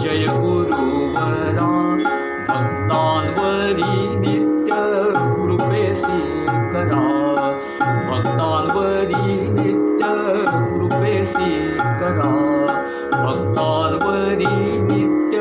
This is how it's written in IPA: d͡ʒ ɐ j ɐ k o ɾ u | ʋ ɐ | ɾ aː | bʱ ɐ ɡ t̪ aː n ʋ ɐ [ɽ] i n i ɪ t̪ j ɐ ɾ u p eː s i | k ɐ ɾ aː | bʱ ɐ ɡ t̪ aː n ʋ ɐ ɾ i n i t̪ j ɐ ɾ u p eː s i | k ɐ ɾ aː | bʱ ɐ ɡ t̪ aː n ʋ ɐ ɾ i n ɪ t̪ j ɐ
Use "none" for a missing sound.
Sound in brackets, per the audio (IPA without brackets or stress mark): ɾ